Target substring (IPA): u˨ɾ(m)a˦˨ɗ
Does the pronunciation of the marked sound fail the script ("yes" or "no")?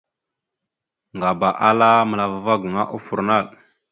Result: yes